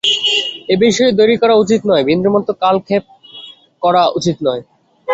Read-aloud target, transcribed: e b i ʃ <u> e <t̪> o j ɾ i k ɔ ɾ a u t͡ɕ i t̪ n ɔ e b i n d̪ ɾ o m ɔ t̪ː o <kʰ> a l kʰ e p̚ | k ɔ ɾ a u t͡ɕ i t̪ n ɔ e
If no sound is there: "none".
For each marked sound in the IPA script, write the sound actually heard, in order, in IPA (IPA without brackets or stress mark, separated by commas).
ɔ, d̪, k